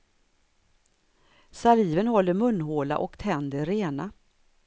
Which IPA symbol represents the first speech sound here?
s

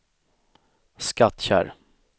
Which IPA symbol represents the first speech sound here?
s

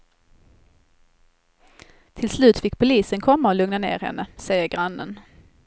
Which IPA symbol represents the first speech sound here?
t̪ʰ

